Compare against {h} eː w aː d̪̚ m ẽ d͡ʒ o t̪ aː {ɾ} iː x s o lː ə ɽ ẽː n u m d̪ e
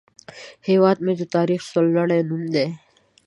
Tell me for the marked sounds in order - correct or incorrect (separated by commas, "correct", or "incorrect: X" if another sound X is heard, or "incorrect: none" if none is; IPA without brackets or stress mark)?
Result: correct, correct